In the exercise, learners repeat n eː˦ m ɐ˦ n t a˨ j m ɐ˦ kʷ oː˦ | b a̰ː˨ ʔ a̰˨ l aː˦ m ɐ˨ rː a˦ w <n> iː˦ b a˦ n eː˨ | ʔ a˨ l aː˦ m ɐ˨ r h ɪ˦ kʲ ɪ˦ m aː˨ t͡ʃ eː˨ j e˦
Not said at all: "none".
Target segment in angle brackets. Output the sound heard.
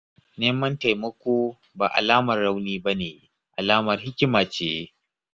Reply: n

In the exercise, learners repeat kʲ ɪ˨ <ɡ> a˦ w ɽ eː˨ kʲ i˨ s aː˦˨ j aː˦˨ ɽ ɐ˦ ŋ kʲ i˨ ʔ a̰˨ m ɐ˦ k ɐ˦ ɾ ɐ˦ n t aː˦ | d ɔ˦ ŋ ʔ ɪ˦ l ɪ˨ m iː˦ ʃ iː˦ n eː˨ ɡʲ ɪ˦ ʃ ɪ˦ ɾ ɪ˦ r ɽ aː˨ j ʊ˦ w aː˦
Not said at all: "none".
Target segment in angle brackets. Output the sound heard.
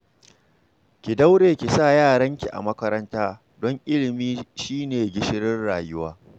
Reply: d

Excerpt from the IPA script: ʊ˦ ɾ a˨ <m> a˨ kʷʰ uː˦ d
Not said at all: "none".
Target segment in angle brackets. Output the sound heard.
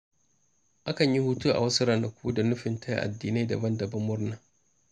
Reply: n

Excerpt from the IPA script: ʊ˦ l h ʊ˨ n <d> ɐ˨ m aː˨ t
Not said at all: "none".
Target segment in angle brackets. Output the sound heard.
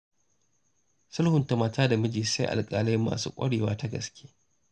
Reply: t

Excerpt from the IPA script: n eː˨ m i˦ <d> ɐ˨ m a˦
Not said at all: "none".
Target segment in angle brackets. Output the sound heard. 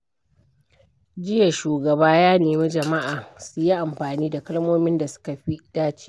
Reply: d͡ʒ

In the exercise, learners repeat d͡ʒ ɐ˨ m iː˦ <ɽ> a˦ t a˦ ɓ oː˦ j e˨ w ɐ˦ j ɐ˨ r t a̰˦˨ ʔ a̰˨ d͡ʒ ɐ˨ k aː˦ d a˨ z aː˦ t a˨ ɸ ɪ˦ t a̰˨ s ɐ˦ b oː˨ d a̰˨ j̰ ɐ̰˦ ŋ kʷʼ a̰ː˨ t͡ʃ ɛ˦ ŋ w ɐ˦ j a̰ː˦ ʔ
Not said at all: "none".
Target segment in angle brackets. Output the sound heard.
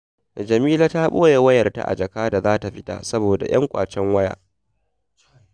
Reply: l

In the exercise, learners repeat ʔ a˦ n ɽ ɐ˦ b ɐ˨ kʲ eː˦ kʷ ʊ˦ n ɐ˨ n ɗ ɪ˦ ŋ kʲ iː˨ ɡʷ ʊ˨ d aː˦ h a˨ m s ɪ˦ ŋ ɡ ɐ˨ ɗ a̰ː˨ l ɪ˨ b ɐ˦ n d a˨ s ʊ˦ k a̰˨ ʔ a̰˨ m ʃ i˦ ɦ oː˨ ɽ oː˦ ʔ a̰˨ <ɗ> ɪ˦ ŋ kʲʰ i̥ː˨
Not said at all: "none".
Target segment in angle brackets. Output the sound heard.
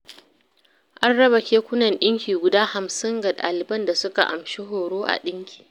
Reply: ɗ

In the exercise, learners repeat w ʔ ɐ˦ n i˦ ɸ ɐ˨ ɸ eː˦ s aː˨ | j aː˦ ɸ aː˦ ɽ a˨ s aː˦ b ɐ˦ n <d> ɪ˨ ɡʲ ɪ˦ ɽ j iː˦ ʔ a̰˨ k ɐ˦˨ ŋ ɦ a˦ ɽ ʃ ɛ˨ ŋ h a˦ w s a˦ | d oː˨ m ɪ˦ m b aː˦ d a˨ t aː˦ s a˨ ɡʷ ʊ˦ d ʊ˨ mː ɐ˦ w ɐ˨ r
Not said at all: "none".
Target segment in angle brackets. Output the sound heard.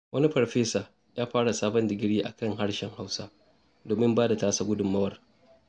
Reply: d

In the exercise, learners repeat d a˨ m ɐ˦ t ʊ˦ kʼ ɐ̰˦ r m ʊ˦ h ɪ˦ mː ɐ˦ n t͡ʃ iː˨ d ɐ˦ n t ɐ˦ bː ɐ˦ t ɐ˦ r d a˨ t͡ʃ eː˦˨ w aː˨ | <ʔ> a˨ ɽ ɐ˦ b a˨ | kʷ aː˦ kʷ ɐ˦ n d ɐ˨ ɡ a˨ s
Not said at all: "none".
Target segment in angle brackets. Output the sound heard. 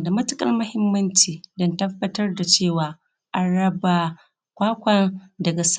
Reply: ʔ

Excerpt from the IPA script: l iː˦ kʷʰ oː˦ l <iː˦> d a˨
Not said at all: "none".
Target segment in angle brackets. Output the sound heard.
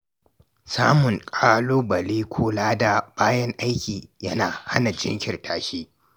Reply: aː˦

